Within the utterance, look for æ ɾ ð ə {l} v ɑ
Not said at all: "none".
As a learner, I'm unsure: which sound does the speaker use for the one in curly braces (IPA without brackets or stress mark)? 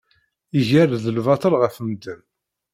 l